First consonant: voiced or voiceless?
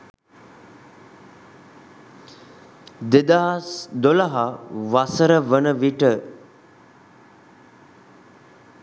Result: voiced